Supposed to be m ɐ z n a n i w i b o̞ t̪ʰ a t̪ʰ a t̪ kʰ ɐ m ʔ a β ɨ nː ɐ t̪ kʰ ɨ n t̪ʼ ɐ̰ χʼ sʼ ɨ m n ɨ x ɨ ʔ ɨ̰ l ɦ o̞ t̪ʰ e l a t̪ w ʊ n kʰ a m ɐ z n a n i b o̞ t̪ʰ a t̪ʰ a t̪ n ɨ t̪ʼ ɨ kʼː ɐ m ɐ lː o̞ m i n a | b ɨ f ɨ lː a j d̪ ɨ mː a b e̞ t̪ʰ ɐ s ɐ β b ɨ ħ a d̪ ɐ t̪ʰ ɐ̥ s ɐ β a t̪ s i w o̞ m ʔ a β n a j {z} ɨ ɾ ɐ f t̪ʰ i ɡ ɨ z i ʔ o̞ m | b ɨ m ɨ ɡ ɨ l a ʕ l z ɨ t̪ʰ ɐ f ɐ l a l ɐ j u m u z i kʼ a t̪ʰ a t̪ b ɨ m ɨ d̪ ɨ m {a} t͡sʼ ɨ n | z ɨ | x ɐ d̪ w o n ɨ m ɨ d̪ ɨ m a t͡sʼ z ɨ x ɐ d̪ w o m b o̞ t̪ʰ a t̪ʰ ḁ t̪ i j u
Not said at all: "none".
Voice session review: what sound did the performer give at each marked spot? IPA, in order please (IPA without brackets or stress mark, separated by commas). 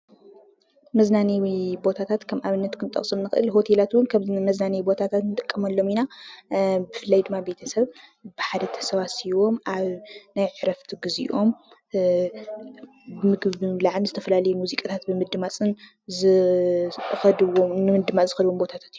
ʕ, a